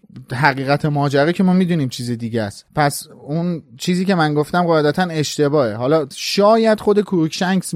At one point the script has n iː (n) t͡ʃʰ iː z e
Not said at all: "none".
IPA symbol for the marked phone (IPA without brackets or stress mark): m